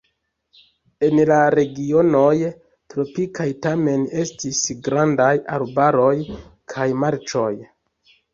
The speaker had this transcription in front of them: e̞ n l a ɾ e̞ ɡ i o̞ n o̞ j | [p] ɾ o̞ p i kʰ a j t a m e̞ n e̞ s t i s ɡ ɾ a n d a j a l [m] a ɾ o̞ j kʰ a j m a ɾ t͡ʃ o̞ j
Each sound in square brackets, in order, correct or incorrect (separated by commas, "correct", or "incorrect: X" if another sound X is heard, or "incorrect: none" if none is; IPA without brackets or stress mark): incorrect: t, incorrect: b